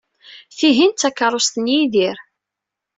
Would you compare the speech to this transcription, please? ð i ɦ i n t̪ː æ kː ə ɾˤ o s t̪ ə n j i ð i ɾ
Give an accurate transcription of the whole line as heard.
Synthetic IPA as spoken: θ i ɦ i n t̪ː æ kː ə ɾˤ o s t̪ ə n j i ð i ɾ